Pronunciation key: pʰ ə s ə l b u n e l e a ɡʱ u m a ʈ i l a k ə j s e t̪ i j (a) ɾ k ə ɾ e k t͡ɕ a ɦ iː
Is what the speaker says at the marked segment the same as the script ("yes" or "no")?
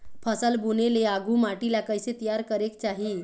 yes